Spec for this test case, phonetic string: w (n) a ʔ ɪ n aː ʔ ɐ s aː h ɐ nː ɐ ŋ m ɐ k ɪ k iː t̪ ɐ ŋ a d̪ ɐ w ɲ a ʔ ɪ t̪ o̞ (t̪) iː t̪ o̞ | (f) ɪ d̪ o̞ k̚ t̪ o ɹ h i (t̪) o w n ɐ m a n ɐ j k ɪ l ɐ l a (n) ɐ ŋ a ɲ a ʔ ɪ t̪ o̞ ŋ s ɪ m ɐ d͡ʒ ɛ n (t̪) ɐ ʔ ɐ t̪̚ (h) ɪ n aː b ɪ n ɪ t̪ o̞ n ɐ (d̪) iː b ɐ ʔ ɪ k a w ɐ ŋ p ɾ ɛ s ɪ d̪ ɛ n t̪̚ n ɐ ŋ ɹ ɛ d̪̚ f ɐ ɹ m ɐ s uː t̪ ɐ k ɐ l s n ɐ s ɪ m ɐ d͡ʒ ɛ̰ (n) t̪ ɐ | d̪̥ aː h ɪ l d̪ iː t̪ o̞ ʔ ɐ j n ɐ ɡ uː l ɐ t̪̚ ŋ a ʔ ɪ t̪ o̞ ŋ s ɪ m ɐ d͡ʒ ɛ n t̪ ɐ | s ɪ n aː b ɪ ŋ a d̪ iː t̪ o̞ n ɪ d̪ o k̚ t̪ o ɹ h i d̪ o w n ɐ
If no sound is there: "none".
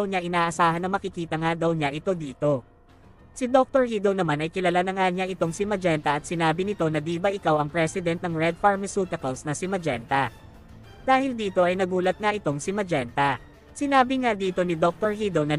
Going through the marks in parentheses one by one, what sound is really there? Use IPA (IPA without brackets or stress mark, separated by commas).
ɲ, d̪, s, d̪, n, t̪, s, d̪, n